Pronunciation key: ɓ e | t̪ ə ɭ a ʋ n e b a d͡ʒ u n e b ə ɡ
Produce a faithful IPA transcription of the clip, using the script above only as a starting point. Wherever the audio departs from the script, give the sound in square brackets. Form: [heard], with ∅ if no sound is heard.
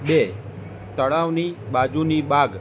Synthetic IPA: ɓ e | t̪ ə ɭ a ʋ n [i] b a d͡ʒ u n [i] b [a] ɡ